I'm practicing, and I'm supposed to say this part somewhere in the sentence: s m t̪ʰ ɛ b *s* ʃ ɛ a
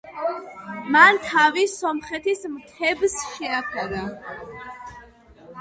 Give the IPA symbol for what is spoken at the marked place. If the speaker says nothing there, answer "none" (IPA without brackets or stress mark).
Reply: s